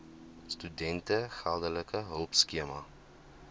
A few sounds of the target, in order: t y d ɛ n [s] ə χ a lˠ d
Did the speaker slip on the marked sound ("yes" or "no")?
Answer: yes